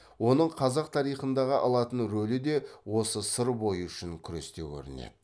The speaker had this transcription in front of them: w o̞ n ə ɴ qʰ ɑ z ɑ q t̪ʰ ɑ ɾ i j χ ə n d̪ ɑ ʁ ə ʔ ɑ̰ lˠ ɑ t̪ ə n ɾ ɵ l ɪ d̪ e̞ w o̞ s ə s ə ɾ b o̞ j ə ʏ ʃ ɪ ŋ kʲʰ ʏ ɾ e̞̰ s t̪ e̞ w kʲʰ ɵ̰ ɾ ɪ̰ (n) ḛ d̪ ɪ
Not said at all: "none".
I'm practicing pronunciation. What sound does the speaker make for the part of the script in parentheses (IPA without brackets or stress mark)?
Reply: n